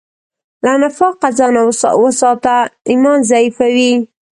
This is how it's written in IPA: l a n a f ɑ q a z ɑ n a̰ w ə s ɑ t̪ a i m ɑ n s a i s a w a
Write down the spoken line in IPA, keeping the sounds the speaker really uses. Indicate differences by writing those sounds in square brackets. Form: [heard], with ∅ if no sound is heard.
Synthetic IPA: l a n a f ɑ q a z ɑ n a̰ w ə s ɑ t̪ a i m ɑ n [z] a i [f] a w [i]